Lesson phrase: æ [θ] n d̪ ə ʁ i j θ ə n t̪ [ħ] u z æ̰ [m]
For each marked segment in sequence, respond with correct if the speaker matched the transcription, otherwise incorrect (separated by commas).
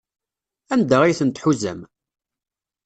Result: incorrect, correct, correct